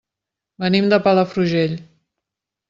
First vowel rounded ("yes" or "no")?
no